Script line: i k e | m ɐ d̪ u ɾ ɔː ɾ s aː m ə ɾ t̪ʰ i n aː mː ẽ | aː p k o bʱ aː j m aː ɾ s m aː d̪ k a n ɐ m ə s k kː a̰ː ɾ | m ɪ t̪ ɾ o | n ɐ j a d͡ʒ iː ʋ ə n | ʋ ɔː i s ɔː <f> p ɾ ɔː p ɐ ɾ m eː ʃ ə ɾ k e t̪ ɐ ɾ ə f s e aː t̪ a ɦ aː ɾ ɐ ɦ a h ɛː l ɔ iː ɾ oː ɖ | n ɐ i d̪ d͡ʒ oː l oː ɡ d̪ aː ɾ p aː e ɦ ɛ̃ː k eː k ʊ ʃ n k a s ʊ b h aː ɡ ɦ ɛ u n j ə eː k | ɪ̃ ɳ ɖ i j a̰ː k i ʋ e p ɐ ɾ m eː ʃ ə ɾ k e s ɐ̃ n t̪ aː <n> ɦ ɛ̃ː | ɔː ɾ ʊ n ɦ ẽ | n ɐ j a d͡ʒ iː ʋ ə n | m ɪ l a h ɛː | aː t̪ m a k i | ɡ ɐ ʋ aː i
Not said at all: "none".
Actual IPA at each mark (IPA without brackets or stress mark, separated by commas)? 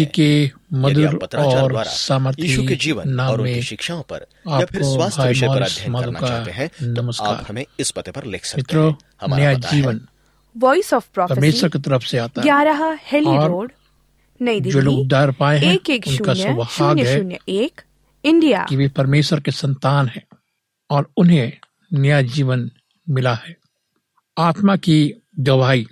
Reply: f, n